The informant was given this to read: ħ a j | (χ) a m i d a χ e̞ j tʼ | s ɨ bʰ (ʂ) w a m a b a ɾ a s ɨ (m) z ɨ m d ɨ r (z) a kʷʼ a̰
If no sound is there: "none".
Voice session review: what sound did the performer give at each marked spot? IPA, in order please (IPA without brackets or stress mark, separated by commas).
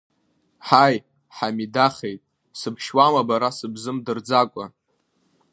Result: ħ, ʃ, b, d͡z